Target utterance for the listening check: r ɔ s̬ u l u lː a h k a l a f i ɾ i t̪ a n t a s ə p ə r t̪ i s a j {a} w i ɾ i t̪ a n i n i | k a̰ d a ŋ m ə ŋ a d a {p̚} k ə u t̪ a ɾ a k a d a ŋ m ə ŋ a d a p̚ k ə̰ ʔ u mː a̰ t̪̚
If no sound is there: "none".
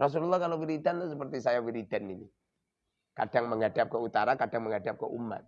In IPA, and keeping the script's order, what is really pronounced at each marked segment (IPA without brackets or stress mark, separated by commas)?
a, p̚